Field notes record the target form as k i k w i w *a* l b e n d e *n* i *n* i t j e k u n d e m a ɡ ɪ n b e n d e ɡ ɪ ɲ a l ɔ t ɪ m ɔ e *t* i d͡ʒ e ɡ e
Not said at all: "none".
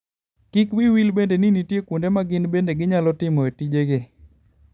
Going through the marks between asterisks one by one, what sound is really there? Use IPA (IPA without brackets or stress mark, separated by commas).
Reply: i, n, n, t